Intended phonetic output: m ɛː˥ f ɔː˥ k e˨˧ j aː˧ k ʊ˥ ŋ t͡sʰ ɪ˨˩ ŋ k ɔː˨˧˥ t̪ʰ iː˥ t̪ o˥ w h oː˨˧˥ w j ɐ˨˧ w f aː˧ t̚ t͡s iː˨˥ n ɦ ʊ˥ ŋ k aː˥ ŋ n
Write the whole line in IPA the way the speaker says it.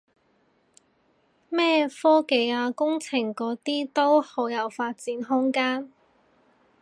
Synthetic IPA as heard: m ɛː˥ f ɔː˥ k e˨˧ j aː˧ k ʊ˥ ŋ t͡sʰ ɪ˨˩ ŋ k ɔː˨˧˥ t̪ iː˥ t̪ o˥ w h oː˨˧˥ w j ɐ˨˧ w f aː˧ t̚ t͡s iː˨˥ n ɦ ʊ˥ ŋ k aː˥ n